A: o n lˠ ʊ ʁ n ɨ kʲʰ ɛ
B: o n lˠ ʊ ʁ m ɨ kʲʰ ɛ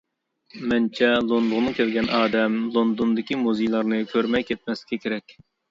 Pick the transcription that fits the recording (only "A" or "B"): A